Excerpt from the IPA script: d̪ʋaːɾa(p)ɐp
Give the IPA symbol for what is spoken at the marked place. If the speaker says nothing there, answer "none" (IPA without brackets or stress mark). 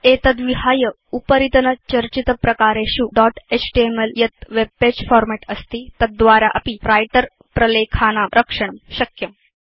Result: ʔ